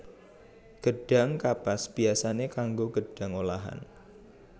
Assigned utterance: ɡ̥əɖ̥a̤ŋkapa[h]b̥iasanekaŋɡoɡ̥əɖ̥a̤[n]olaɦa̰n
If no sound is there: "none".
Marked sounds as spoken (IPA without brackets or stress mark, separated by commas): s, ŋ